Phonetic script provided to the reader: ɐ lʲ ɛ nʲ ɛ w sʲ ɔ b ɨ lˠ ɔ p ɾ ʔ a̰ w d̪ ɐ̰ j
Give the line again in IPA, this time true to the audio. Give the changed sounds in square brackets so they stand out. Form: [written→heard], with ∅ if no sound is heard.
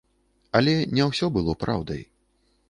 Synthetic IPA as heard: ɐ lʲ ɛ nʲ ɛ w sʲ ɔ b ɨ lˠ ɔ p ɾ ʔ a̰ w d̪ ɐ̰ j